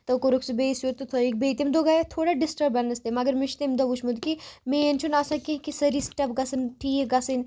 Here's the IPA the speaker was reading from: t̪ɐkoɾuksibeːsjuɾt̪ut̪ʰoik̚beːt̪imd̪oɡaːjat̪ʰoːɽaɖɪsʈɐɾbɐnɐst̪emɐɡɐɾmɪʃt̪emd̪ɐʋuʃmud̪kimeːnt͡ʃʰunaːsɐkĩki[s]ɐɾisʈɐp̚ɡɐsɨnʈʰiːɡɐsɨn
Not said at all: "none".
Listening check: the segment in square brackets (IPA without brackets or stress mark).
s